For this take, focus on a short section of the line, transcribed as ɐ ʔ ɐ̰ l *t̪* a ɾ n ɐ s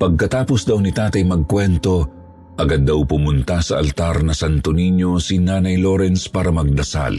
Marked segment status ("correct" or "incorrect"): correct